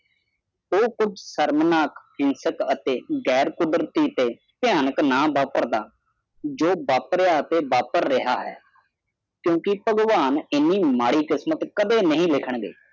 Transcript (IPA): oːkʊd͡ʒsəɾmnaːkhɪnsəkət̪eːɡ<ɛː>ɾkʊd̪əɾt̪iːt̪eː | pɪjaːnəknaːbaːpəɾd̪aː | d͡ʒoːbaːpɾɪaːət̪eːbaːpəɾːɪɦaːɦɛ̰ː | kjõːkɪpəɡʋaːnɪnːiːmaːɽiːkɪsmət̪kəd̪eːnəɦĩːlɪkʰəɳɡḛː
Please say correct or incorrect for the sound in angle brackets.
correct